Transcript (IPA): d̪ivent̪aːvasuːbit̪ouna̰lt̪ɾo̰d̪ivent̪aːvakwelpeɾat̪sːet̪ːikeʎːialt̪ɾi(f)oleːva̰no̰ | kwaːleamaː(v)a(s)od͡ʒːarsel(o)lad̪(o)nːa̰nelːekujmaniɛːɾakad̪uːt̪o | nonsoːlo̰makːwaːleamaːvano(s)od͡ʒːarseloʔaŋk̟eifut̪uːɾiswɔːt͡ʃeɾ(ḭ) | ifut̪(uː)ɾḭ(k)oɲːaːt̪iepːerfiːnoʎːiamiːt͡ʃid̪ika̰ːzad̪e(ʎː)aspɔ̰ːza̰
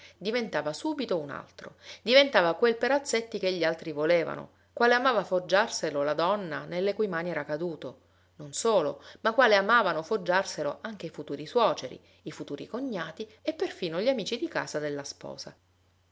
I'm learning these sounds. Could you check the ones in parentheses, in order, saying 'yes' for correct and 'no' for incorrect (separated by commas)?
no, yes, no, yes, no, no, yes, yes, yes, no